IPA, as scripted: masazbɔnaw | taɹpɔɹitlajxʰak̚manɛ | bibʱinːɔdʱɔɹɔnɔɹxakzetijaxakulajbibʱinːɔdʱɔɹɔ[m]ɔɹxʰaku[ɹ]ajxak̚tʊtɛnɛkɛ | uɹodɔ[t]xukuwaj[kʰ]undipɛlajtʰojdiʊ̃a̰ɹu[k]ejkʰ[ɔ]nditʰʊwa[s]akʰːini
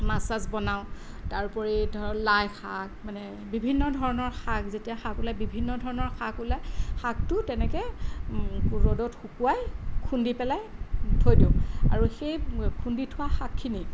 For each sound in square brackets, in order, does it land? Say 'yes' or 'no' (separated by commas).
no, no, yes, yes, no, no, no